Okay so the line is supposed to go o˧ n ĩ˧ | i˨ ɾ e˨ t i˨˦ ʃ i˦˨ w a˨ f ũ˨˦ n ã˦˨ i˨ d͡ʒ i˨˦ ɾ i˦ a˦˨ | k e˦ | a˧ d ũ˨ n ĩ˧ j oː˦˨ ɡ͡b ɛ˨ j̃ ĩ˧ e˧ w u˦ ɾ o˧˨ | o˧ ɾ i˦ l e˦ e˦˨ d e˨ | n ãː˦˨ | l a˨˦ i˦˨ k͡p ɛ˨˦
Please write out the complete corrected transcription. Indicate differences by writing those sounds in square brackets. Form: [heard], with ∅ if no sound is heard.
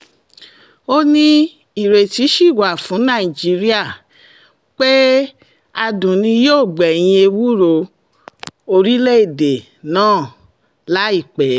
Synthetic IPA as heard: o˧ n ĩ˧ | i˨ ɾ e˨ t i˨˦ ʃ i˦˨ w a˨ f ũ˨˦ n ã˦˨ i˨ d͡ʒ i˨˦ ɾ i˦ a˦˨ | [k͡p] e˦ | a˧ d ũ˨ n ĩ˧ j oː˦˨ ɡ͡b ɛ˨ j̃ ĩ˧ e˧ w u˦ ɾ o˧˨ | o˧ ɾ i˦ l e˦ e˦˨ d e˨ | n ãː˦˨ | l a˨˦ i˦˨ k͡p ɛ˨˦